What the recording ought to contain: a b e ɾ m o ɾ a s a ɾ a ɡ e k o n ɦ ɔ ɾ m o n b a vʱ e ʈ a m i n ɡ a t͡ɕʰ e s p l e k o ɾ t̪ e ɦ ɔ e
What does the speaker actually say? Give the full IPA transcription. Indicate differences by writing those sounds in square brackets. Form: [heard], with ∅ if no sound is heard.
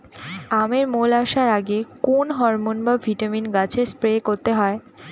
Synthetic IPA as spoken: a [m] e ɾ m o [l] a [ʃ] a ɾ a ɡ e k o n ɦ ɔ ɾ m o n b a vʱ [i] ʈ a m i n ɡ a t͡ɕʰ e s p [ɾ] e k o ɾ t̪ e ɦ ɔ e